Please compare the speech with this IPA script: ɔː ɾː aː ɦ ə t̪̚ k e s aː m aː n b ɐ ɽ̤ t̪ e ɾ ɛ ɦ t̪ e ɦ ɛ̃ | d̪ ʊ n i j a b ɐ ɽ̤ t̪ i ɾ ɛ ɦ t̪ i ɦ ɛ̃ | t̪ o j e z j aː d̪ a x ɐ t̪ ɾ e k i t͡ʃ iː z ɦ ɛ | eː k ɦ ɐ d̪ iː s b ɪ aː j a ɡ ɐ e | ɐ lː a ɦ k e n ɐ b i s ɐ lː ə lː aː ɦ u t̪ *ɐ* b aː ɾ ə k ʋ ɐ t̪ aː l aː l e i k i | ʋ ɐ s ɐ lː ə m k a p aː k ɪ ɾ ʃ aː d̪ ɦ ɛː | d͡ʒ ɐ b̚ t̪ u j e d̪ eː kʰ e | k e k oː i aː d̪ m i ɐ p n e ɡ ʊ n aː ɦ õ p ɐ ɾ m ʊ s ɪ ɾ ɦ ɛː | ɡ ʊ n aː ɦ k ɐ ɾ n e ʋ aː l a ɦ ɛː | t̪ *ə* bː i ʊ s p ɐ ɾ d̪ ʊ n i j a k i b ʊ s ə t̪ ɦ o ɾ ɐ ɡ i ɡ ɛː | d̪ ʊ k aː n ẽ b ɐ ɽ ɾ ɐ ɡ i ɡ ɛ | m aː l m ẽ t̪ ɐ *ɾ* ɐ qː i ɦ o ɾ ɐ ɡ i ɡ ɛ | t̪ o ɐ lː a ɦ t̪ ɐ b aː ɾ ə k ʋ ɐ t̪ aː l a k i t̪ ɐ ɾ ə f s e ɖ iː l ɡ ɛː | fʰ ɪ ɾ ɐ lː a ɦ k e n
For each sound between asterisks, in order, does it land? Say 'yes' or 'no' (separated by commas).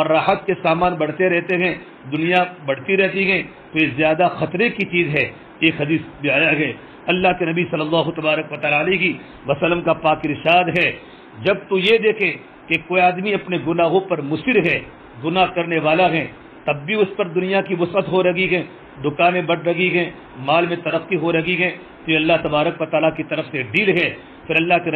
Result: yes, no, yes